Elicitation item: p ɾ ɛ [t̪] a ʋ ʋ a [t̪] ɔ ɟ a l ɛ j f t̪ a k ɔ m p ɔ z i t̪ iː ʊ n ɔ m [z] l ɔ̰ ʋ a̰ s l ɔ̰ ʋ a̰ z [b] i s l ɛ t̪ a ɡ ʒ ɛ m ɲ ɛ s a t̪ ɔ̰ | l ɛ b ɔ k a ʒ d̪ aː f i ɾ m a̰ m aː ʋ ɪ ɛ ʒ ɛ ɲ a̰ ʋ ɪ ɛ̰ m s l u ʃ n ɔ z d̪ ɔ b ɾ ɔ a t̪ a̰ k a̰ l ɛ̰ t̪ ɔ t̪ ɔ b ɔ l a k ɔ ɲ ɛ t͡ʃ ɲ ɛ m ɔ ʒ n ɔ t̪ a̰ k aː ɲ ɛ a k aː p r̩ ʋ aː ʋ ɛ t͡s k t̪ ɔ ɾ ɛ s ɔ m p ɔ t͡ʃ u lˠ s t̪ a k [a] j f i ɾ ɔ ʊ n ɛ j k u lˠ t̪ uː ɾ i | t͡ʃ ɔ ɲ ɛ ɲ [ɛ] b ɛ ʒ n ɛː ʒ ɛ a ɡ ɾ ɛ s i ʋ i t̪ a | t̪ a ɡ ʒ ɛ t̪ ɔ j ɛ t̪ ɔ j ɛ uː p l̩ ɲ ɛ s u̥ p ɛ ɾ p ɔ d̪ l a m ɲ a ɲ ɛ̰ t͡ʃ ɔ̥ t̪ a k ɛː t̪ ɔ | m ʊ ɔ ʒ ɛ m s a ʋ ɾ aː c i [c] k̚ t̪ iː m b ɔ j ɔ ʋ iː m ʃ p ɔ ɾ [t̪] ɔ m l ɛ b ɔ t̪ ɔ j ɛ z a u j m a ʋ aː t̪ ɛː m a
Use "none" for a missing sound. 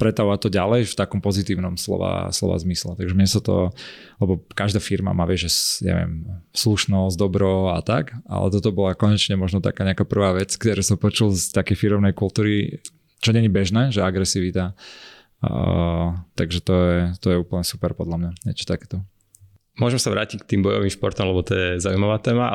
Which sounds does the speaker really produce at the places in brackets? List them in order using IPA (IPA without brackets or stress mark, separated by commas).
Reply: t̪, t̪, s, m, ɛ, i, c, t̪